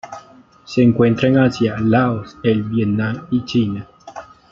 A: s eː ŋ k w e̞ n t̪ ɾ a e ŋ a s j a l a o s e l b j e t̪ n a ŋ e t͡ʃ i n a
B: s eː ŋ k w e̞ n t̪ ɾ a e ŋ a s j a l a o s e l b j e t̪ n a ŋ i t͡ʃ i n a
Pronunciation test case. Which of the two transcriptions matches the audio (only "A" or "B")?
B